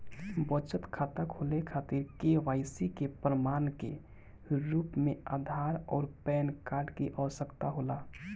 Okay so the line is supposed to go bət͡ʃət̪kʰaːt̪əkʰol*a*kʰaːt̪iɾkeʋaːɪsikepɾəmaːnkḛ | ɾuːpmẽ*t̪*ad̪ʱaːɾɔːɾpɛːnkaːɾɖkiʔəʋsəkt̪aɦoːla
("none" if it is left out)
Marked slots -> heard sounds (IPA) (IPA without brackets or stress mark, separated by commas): e, none